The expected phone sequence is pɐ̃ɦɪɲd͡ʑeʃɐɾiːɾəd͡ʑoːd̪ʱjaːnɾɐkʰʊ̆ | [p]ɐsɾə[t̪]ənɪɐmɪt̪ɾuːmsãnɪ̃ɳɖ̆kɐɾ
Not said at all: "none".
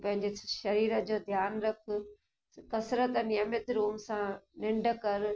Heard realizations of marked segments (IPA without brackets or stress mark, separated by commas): k, t̪